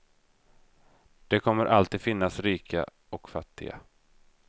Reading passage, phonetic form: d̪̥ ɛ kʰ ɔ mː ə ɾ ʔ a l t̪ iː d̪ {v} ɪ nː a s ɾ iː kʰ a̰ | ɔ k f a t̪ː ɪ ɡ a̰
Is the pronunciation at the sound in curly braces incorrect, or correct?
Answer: incorrect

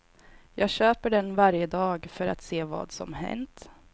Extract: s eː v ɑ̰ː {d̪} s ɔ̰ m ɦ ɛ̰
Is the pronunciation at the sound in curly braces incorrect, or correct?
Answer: correct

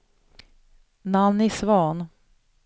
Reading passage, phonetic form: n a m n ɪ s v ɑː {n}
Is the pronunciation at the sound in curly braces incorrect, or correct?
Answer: correct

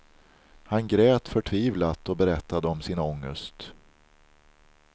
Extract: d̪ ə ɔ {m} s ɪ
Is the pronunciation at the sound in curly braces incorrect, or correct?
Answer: correct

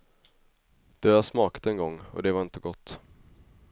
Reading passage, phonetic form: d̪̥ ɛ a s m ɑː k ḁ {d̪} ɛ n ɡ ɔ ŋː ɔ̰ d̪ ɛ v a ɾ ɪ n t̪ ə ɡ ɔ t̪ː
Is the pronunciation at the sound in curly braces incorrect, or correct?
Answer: incorrect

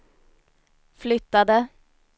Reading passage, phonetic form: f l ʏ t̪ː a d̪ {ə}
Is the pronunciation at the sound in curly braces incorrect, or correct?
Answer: correct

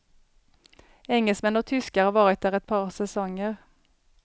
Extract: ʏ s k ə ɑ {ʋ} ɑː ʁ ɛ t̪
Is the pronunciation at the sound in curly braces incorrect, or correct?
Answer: correct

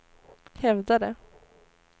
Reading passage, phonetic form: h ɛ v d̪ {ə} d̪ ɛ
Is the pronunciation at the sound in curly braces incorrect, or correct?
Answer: incorrect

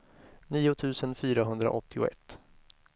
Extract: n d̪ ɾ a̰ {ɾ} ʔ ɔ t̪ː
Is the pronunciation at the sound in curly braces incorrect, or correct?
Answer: incorrect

